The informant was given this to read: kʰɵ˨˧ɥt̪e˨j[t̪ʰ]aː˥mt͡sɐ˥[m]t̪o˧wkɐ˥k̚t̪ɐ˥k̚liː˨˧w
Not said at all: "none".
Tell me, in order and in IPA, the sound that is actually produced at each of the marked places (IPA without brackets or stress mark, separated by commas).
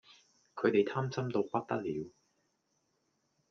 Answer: t̪ʰ, m